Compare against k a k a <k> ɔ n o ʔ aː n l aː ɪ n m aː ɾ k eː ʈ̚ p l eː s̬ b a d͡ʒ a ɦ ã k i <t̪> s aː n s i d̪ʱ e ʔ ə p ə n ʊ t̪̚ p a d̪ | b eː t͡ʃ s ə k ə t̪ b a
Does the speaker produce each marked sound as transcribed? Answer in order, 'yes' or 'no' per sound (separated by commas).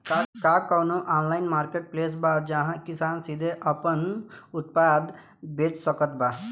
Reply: yes, no